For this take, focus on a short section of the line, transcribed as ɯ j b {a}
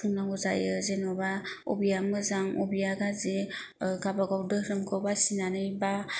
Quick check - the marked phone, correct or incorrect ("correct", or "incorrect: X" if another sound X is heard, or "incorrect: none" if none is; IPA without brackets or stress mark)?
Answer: correct